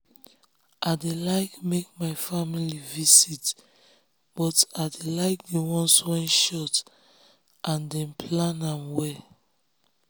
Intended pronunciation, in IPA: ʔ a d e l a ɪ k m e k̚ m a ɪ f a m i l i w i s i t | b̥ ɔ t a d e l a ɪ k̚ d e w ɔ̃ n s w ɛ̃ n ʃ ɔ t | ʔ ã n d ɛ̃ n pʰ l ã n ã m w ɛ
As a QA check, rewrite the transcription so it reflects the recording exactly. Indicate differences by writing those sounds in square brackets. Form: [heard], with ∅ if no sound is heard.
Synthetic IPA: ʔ a d e l a ɪ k m e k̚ m a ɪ f a m i l i [v] i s i t | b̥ ɔ t a d e l a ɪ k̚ d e w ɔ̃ n s w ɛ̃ n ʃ ɔ t | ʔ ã n d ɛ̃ n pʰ l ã n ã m w ɛ